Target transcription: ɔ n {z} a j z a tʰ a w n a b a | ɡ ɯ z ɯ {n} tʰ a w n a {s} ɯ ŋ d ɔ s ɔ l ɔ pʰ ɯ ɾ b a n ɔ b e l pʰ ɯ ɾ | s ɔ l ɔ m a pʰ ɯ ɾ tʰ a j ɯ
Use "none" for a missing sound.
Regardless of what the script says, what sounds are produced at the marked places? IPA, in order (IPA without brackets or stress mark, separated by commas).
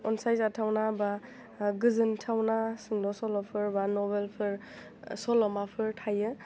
s, n, s